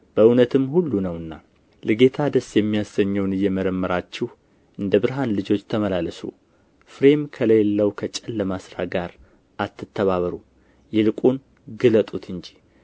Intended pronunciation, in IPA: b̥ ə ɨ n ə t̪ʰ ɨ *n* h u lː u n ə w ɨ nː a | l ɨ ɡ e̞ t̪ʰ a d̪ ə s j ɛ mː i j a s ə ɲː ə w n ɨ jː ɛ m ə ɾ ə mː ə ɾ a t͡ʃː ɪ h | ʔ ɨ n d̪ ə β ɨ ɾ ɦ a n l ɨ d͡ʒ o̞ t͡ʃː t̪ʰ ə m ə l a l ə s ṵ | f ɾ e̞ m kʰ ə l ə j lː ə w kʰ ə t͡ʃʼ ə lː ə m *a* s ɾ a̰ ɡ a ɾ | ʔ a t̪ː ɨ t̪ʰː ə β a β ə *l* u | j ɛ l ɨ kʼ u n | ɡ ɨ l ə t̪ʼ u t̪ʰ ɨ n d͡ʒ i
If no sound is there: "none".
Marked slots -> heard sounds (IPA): m, a, ɾ

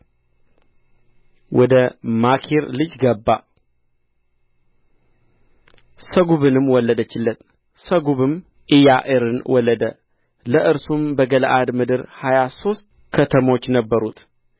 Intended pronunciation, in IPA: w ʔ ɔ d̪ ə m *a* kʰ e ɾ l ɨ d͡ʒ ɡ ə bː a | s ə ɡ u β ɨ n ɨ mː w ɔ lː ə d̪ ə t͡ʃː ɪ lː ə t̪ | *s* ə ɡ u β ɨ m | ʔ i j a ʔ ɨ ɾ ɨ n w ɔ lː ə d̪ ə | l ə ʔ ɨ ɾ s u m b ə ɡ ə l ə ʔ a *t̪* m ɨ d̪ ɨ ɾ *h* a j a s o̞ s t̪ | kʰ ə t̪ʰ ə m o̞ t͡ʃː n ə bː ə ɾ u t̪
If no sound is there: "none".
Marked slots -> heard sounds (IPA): a, s, d̪, h

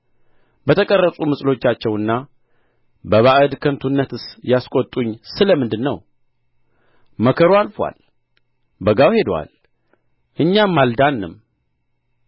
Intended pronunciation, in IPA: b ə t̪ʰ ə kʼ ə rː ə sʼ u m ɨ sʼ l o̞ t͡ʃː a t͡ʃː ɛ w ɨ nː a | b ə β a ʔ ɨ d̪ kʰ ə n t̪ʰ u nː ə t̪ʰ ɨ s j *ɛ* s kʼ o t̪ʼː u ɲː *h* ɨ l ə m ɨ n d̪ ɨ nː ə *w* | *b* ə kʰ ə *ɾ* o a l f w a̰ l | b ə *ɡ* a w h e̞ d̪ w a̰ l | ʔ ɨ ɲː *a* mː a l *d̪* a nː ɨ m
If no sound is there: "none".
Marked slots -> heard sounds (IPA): a, s, w, m, ɾ, ɡ, a, d̪

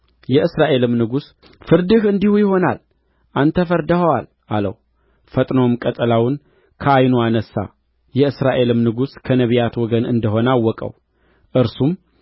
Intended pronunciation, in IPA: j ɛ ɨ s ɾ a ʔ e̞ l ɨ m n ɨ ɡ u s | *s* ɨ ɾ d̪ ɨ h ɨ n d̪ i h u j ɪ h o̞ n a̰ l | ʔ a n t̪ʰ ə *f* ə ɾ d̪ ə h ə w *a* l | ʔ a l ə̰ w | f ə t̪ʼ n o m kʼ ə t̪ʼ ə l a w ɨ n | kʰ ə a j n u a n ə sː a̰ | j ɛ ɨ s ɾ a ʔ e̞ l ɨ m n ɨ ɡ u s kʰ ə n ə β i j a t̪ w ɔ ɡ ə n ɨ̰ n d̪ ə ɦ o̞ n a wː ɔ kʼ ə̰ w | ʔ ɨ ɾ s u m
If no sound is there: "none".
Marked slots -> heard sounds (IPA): f, f, a

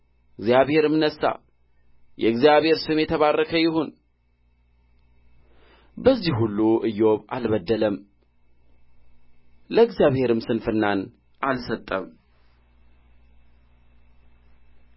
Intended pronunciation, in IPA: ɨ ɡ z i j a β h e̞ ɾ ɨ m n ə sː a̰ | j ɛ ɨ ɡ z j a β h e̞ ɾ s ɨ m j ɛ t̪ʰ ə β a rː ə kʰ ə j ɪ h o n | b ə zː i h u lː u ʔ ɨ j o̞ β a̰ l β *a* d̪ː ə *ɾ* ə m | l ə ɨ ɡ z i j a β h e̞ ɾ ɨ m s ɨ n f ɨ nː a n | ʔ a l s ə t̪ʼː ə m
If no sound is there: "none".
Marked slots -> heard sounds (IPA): ə, l

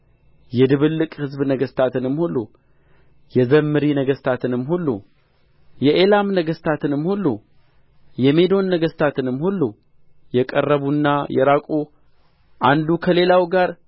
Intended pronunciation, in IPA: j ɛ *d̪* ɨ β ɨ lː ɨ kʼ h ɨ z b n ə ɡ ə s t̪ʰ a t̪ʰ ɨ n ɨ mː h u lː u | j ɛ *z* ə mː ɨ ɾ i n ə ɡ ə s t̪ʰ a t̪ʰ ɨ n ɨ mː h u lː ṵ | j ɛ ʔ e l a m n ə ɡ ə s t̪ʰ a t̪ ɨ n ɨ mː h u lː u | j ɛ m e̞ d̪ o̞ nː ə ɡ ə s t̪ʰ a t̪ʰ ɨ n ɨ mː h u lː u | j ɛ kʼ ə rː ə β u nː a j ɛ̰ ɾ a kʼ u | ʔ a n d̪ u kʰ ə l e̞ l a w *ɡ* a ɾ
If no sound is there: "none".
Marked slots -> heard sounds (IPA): d̪, z, ɡ

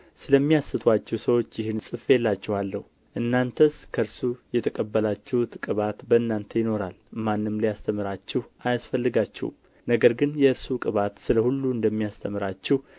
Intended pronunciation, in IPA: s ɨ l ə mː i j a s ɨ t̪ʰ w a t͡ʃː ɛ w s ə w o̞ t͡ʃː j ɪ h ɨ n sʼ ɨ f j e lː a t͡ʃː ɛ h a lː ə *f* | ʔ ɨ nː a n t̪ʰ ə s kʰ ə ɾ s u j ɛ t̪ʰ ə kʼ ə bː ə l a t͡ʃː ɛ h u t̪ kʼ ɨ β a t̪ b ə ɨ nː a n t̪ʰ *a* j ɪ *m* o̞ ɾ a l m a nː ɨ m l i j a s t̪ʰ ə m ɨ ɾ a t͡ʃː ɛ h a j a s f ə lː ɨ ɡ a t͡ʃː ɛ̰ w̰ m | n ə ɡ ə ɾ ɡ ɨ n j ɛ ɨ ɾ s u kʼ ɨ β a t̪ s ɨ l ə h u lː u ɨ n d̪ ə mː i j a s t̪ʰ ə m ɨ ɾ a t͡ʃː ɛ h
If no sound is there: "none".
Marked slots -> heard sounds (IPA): h, ə, n

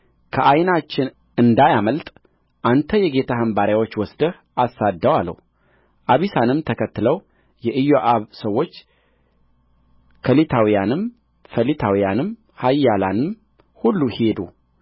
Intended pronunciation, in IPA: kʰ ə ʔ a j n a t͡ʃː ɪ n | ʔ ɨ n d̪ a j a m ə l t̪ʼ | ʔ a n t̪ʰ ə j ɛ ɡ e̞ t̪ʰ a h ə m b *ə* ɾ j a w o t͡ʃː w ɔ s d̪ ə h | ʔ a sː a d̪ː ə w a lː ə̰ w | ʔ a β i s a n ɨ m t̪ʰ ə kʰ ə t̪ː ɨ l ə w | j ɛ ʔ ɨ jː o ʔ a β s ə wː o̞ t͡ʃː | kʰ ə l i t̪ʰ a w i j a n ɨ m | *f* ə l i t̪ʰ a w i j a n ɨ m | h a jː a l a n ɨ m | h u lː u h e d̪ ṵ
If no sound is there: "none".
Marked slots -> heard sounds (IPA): a, f

